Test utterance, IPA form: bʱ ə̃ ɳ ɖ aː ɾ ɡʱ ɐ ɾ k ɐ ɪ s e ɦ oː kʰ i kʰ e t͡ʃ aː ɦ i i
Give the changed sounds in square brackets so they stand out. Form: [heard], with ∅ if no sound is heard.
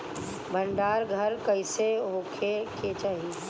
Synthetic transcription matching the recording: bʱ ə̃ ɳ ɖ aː ɾ ɡʱ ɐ ɾ k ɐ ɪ s e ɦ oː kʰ [e] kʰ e t͡ʃ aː ɦ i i